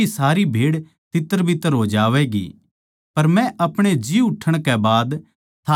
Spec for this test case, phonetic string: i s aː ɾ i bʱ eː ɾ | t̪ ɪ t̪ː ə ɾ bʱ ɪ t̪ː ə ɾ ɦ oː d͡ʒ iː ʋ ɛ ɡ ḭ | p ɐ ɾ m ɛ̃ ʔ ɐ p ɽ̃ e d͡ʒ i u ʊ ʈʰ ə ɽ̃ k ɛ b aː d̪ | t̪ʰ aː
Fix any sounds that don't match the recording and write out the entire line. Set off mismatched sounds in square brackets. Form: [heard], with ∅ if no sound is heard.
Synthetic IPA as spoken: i s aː ɾ i bʱ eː [ɽ] | t̪ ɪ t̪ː ə ɾ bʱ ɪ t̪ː ə ɾ ɦ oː d͡ʒ [aː] ʋ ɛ ɡ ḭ | p ɐ ɾ m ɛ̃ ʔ ɐ p ɽ̃ e d͡ʒ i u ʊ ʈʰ ə ɽ̃ k ɛ b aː d̪ | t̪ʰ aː